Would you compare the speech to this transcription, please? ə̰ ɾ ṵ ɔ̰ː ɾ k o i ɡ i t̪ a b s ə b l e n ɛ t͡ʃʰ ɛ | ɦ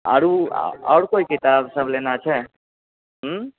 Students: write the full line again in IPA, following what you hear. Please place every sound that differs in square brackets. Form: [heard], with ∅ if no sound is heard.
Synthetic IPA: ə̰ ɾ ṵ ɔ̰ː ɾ k o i [k] i t̪ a b s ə b l e n [a] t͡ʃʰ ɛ | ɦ

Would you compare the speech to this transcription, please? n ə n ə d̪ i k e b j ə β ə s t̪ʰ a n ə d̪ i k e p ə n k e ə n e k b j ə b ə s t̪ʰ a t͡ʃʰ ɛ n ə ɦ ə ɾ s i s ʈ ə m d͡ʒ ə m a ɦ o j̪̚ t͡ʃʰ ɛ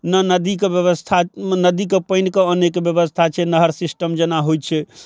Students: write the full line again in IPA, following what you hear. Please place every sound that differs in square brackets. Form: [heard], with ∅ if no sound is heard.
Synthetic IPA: n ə n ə d̪ i k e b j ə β ə s t̪ʰ a n ə d̪ i k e p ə n k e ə n e k b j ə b ə s t̪ʰ a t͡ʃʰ ɛ n ə ɦ ə ɾ s i s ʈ ə m d͡ʒ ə [n] a ɦ o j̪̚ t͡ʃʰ ɛ

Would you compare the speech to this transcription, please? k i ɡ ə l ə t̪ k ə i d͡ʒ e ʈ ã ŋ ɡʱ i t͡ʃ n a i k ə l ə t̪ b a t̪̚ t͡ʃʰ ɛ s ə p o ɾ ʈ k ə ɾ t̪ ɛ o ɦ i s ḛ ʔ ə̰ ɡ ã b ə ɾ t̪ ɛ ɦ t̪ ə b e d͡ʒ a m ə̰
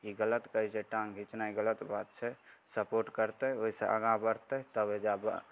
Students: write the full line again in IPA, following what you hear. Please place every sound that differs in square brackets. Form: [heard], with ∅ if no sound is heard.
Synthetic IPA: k i ɡ ə l ə t̪ k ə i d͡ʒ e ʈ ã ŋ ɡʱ i t͡ʃ n a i [ɡ] ə l ə t̪ b a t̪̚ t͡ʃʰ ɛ s ə p o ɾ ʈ k ə ɾ t̪ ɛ o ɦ i s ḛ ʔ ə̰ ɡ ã b ə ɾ t̪ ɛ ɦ t̪ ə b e d͡ʒ a [b] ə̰

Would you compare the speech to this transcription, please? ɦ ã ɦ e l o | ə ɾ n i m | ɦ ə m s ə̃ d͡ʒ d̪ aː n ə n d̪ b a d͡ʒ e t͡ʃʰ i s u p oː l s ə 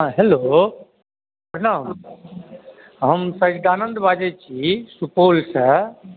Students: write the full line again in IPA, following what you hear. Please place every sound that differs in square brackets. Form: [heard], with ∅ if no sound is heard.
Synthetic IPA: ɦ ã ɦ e l o | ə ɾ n [a] m | ɦ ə m s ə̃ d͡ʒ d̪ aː n ə n d̪ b a d͡ʒ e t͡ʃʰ i s u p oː l s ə

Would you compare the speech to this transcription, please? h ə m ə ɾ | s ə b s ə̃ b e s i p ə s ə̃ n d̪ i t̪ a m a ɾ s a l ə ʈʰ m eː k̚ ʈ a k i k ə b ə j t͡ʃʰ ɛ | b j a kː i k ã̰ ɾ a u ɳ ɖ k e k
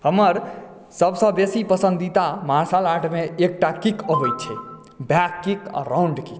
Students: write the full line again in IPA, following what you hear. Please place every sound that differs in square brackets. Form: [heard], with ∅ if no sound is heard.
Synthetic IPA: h ə m ə ɾ | s ə b s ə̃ b e s i p ə s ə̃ n d̪ i t̪ a m a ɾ s a l [a] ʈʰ m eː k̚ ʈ a k i k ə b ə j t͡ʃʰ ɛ | b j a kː i k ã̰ ɾ a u ɳ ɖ k [i] k

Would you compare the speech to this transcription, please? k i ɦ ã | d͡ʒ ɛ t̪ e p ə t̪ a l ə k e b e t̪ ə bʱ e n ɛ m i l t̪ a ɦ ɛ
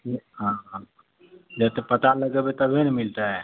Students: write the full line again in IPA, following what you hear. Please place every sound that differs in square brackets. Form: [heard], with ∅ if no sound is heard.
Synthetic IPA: k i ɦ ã | d͡ʒ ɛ t̪ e p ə t̪ a l ə [ɡ] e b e t̪ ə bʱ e n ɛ m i l t̪ a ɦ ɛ

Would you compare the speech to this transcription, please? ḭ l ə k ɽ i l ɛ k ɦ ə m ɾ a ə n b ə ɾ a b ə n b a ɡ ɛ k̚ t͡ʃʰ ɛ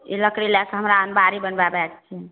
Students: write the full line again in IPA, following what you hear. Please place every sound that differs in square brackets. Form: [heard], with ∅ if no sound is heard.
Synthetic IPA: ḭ l ə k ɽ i l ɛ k ɦ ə m ɾ a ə n b [a] ɾ [i] b ə n b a [b] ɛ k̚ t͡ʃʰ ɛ

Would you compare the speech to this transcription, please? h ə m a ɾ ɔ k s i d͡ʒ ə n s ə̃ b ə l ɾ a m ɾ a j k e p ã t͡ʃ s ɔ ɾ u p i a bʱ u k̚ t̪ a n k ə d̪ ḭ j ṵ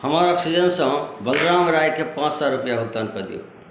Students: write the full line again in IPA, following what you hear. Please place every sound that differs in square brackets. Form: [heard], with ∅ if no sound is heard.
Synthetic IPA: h ə m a ɾ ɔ k s i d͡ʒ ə n s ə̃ b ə l ɾ a m ɾ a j k e p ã t͡ʃ s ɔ ɾ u p [j] a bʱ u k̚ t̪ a n k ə d̪ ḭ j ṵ

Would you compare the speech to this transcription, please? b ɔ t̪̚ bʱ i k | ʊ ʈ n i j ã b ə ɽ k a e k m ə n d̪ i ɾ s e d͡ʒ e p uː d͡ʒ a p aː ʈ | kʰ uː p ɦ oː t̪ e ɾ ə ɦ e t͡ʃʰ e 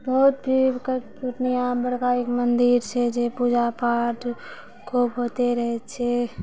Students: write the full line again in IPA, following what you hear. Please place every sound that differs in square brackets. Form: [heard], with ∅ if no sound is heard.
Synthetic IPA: b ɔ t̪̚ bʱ i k | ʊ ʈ n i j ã b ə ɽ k a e k m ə n d̪ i ɾ s e d͡ʒ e p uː d͡ʒ a p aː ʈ | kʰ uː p ɦ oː t̪ e ɾ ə ɦ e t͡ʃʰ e

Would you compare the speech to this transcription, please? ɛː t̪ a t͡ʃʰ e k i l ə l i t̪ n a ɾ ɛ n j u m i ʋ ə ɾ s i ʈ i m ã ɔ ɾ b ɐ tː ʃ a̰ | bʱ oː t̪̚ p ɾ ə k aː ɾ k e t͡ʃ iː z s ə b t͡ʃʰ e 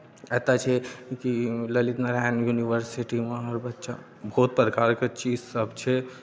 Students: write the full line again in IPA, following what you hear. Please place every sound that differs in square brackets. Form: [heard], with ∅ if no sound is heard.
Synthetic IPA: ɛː t̪ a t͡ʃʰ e k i l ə l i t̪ n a ɾ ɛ n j u [n] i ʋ ə ɾ s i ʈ i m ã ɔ ɾ b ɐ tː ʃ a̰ | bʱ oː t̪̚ p ɾ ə k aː ɾ k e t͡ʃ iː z s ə b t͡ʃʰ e

